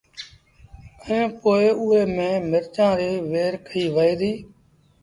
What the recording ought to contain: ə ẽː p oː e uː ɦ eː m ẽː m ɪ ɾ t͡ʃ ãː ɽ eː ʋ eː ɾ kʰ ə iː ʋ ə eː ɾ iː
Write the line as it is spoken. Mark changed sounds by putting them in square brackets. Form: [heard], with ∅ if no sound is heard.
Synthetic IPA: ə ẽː p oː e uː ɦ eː m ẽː m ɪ ɾ t͡ʃ ãː [ɾ] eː ʋ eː ɾ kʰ ə iː ʋ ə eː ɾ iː